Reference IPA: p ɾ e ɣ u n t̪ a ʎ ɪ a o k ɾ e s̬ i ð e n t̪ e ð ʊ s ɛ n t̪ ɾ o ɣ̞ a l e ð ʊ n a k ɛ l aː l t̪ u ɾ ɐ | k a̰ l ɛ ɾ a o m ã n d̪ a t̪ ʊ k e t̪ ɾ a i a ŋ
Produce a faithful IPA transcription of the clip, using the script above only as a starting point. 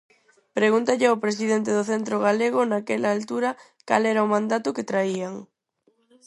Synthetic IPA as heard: p ɾ e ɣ u n t̪ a ʎ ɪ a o p ɾ e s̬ i ð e n t̪ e ð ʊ θ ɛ n t̪ ɾ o ɣ̞ a l e ɣ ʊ n a k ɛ l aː l t̪ u ɾ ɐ | k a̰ l ɛ ɾ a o m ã n d̪ a t̪ ʊ k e t̪ ɾ a i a ŋ